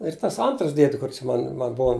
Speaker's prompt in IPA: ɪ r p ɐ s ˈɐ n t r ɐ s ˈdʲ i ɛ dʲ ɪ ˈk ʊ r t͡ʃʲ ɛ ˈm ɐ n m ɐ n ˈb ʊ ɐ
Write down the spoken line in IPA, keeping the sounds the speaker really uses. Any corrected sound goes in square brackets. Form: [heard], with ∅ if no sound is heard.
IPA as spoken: ɪ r [t] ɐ s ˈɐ n t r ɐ s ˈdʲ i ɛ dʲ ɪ ˈk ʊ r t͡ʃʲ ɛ ˈm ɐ n m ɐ n ˈb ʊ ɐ